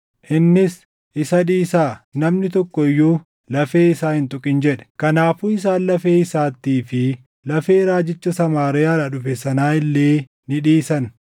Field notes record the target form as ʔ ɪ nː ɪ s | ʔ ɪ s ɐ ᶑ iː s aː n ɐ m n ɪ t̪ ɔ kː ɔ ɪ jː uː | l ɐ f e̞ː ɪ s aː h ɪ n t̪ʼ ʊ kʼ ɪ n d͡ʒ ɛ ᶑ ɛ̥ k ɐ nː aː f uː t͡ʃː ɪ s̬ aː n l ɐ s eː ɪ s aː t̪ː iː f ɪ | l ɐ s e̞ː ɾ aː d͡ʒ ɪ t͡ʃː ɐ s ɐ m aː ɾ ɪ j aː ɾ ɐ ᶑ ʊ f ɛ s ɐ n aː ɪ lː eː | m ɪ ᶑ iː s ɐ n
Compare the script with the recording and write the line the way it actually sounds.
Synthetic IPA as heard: ʔ ɪ nː ɪ s | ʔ ɪ s ɐ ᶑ iː s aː n ɐ m n ɪ t̪ ɔ kː ɔ ɪ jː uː | l ɐ f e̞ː ɪ s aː h ɪ n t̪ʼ ʊ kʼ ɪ n d͡ʒ ɛ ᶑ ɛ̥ k ɐ n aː f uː ɪ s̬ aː n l ɐ f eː ɪ s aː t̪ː iː f ɪ | l ɐ f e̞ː ɾ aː d͡ʒ ɪ t͡ʃː ɐ s ɐ m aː ɾ ɪ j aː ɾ ɐ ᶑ ʊ f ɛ s ɐ n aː ɪ lː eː | n ɪ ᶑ iː s ɐ n

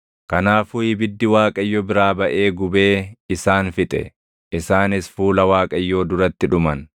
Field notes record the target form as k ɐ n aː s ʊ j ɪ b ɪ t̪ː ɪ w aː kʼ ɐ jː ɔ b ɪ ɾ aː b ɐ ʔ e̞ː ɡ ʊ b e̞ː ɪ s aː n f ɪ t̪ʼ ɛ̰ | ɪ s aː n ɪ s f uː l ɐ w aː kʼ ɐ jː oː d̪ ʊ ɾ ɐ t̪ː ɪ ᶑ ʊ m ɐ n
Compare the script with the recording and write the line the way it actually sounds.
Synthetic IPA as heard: k ɐ n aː f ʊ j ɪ b ɪ d̪ː ɪ w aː kʼ ɐ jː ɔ b ɪ ɾ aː b ɐ ʔ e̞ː ɡ ʊ b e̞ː ɪ s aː n f ɪ t̪ʼ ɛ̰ | ɪ s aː n ɪ s f uː l ɐ w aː kʼ ɐ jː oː d̪ ʊ ɾ ɐ t̪ː ɪ ᶑ ʊ m ɐ n

